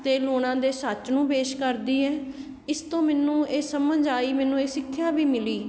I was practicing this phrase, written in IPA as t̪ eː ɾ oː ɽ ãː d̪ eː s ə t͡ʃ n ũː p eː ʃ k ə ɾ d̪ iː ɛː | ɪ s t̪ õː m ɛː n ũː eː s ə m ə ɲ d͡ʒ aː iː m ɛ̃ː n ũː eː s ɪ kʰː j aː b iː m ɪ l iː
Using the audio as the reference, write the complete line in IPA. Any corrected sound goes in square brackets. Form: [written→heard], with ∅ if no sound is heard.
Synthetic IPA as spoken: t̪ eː [ɾ→l] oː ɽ ãː d̪ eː s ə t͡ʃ n ũː p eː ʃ k ə ɾ d̪ iː ɛː | ɪ s t̪ õː m ɛː n ũː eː s ə m ə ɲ d͡ʒ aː iː m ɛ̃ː n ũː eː s ɪ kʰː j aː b iː m ɪ l iː